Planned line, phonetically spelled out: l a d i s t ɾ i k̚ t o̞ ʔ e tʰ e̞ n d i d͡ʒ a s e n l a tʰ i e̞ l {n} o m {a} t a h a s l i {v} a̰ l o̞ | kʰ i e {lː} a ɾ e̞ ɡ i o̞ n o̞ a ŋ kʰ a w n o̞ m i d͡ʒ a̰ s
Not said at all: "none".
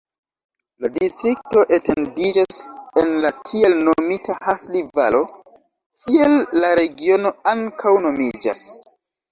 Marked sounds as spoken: n, i, v, lː

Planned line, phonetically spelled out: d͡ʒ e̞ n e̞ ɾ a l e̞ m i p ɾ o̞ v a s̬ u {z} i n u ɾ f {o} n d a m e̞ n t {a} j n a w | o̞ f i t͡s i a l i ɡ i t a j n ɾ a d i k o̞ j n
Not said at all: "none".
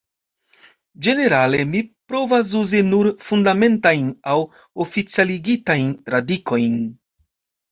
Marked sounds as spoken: z, u, a

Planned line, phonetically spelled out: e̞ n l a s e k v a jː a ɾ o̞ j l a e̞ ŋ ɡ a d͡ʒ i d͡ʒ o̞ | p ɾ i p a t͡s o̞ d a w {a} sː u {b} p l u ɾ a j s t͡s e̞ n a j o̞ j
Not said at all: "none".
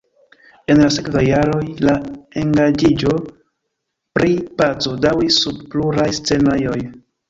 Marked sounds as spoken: i, b

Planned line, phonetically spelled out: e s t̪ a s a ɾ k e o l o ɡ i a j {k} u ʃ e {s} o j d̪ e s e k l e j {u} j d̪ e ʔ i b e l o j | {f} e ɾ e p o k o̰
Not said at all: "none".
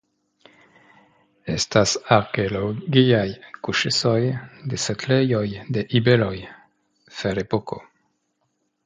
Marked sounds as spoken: k, s, o, f

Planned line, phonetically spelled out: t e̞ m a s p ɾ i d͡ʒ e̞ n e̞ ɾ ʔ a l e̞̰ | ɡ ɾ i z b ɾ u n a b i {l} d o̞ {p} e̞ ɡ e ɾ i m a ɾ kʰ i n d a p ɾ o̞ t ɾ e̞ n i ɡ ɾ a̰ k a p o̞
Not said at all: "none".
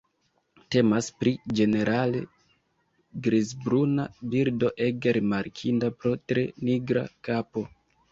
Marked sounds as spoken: ɾ, ʔ

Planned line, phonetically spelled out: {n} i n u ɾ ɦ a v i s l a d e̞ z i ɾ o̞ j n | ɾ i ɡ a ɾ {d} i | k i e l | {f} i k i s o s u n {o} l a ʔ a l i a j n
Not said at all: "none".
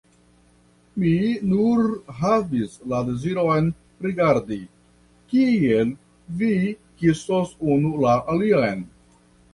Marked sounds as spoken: m, d, v, u

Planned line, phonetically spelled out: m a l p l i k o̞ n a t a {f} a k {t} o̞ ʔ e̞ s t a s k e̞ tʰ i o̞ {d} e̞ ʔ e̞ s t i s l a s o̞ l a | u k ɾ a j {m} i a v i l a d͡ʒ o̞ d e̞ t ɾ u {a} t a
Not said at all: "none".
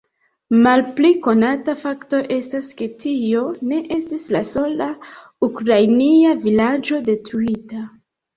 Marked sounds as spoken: f, t, n, n, i

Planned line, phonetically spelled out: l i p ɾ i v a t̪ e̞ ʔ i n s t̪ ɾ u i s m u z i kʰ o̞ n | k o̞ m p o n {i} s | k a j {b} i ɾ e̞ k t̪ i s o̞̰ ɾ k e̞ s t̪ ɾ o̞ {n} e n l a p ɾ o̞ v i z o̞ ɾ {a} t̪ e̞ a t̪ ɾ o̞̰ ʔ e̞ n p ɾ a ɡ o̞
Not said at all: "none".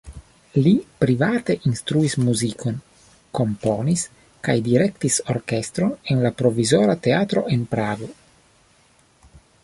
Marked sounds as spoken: i, d, n, a

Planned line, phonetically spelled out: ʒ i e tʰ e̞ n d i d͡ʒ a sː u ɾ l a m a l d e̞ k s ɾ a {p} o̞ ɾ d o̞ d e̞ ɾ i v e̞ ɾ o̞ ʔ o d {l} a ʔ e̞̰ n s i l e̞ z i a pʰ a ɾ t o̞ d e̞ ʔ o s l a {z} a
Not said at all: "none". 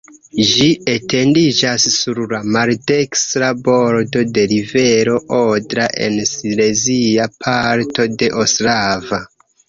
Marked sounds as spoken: b, ɾ, v

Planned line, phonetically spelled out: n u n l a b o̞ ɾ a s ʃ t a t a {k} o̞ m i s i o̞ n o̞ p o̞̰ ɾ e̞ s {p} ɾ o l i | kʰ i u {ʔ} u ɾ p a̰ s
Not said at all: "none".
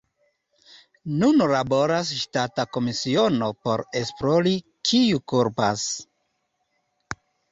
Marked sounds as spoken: k, p, k

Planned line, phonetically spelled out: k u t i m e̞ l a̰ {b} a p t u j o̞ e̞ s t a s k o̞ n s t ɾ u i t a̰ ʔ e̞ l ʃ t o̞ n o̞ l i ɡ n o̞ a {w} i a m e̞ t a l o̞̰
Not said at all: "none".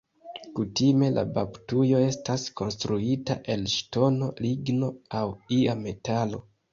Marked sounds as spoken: b, w

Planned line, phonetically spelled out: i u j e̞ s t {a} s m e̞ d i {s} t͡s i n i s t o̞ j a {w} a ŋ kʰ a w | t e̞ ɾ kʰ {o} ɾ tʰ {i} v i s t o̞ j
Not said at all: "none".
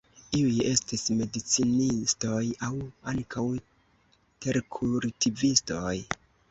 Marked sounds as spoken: i, none, w, u, i

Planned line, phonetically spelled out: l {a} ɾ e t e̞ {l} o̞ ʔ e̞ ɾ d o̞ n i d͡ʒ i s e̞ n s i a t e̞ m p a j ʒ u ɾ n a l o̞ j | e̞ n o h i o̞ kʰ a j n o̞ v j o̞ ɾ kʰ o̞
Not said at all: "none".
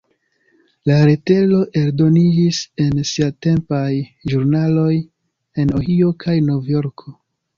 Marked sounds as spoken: a, l

